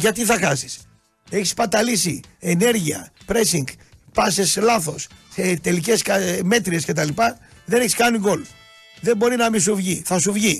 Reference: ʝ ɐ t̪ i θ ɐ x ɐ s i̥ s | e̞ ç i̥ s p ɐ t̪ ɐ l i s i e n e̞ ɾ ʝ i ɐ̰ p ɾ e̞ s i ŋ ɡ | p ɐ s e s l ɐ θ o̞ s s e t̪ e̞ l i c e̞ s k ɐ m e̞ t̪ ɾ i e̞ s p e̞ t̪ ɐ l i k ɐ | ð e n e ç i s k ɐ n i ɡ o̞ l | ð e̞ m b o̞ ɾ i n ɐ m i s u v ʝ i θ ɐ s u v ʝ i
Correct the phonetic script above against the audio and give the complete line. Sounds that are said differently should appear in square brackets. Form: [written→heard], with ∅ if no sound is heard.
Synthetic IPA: ʝ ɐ t̪ i θ ɐ x ɐ s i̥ s | e̞ ç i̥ s p ɐ t̪ ɐ l i s i e n e̞ ɾ ʝ i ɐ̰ p ɾ e̞ s i ŋ ɡ | p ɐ s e s l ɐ θ o̞ s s e t̪ e̞ l i c e̞ s k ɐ m e̞ t̪ ɾ i e̞ s [p→c] e̞ t̪ ɐ l i [k→p] ɐ | ð e n e ç i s k ɐ n i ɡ o̞ l | ð e̞ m b o̞ ɾ i n ɐ m i s u v ʝ i θ ɐ s u v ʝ i